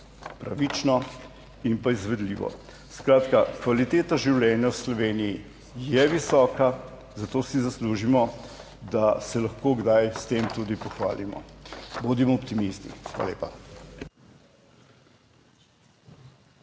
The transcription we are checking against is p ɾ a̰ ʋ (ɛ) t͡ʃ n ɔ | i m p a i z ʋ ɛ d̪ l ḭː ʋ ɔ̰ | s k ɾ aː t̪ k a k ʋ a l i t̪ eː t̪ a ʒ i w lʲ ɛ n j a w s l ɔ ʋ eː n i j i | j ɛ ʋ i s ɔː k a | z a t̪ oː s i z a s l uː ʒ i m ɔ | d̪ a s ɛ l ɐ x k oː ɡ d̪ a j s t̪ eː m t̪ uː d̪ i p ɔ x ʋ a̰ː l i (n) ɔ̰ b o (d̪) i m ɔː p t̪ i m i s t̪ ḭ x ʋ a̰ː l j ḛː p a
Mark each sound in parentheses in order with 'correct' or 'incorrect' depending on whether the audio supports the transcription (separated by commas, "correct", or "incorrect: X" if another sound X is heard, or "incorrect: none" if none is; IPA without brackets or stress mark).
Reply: incorrect: i, incorrect: m, correct